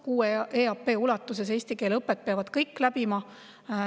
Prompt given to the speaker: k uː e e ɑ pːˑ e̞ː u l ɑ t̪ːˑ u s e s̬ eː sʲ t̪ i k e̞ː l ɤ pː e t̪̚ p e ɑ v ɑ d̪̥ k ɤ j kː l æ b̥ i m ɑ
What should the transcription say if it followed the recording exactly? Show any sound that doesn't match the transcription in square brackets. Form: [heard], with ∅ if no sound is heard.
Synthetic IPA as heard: k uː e e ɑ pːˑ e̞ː u l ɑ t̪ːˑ u s e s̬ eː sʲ t̪ i k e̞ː l ɤ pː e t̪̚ p e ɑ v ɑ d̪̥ k ɤ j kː l æ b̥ i m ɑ